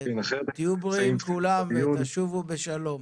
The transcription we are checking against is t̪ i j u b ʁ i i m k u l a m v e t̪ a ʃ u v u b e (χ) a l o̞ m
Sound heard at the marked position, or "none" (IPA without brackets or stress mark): ʃ